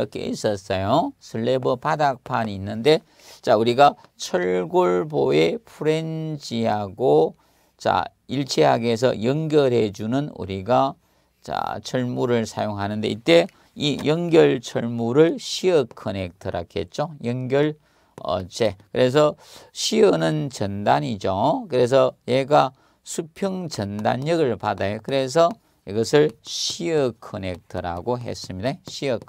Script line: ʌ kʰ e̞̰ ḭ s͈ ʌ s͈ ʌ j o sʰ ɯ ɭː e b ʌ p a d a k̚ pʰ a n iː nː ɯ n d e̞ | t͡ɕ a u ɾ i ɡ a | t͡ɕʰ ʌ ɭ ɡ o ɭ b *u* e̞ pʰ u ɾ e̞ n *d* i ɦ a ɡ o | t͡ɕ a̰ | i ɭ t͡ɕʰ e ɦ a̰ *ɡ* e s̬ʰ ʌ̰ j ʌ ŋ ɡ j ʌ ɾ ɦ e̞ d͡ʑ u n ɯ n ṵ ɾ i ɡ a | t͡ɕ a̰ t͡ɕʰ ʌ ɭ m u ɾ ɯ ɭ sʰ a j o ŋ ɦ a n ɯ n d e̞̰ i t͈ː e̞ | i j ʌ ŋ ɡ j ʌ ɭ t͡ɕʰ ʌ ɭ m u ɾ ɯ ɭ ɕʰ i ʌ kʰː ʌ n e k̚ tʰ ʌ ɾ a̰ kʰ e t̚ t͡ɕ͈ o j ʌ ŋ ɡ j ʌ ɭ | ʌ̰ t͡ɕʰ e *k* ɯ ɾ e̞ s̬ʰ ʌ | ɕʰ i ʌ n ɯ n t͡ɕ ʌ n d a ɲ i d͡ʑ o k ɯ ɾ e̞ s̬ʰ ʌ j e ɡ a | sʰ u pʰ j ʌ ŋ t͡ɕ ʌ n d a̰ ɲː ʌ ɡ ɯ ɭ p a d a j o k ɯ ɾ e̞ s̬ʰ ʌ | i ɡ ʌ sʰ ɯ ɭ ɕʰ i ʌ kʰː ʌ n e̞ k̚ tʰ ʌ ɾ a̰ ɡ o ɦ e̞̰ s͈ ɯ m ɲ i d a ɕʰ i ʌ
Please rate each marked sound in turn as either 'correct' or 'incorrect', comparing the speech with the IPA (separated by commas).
incorrect, incorrect, correct, correct